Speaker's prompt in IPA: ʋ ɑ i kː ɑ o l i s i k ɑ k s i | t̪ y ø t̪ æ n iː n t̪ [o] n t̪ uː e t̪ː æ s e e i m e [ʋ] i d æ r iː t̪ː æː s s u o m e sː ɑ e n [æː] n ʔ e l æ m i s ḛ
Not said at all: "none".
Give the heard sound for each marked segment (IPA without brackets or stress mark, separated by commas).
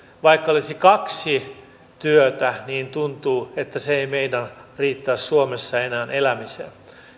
u, none, æː